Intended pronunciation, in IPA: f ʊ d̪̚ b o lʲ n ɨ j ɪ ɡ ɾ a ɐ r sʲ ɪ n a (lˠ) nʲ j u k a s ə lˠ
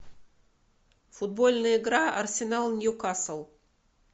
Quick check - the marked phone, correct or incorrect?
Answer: correct